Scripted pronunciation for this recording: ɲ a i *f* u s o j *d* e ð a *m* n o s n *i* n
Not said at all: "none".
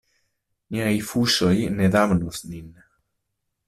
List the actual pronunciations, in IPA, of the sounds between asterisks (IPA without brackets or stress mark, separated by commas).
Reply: f, n, m, i